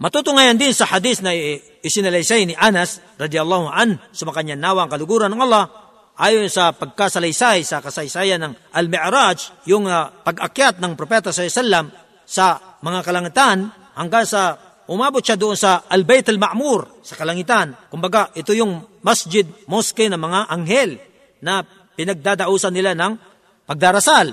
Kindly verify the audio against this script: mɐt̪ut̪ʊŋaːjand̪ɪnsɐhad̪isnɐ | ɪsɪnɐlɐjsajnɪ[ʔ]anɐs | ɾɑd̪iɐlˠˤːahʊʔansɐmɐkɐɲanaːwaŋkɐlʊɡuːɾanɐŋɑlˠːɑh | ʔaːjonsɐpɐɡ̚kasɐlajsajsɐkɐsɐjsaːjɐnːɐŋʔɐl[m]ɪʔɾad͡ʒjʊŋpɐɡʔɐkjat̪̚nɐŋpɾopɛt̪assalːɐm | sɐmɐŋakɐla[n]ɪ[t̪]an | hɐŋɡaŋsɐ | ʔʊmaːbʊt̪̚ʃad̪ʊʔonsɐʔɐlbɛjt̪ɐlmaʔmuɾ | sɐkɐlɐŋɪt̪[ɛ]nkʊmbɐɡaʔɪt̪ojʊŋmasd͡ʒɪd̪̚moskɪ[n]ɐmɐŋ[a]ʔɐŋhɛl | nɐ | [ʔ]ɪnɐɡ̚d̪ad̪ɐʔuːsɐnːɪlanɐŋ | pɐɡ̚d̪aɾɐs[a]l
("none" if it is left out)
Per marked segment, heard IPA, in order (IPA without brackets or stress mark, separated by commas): ʔ, m, ŋ, t̪, a, n, a, p, a